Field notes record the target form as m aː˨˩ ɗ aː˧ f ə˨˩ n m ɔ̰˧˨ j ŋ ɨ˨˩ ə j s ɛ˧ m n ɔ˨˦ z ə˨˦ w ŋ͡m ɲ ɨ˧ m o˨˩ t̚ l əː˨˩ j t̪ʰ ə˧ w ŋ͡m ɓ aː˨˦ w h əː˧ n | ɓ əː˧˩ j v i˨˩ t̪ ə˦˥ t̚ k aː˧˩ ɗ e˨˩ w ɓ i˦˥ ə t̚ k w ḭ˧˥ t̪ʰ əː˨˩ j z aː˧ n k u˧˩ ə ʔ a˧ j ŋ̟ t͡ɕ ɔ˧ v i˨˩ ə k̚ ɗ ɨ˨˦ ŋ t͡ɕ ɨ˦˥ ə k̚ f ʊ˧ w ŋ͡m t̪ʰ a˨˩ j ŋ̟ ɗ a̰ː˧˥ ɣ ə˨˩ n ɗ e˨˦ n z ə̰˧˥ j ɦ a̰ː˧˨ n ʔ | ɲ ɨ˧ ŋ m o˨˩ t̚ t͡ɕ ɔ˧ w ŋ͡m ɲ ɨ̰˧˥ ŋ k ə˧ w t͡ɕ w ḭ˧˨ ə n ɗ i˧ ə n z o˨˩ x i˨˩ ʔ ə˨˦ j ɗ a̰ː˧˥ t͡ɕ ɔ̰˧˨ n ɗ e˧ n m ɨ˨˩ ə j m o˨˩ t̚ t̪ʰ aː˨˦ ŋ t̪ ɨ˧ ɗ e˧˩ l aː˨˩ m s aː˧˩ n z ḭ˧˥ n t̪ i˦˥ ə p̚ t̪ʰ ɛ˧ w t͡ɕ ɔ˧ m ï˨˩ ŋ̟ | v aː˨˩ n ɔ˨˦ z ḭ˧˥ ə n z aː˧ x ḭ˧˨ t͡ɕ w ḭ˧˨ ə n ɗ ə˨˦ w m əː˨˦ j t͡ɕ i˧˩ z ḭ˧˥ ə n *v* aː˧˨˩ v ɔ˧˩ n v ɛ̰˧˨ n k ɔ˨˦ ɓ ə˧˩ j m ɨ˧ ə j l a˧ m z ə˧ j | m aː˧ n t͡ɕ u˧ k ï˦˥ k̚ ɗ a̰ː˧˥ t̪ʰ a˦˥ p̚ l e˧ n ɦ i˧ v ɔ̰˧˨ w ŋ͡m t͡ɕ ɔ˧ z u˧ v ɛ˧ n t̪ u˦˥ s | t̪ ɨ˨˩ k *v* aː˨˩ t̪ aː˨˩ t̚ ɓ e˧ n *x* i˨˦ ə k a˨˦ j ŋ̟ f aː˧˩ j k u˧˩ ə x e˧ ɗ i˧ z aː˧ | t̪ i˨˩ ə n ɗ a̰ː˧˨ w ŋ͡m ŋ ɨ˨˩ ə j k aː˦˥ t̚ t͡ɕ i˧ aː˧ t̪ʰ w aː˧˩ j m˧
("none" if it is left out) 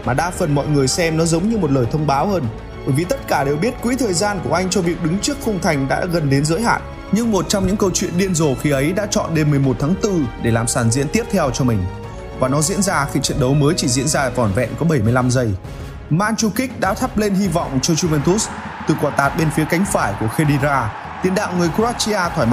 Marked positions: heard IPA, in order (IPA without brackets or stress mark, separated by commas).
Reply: z, w, f